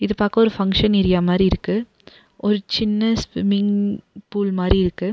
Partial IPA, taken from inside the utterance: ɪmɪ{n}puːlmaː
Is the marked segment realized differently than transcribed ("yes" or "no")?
yes